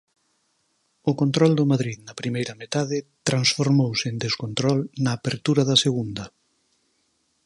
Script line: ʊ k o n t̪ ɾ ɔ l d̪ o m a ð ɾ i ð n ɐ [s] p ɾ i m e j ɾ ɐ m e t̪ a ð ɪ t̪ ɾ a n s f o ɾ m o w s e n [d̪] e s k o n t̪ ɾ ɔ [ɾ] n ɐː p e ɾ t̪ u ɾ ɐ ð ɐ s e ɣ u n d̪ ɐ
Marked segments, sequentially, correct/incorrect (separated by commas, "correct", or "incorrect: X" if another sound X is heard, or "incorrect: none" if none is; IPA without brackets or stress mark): incorrect: none, correct, incorrect: l